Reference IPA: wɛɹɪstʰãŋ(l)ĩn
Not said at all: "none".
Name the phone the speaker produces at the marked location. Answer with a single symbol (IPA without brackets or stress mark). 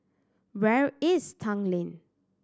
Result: l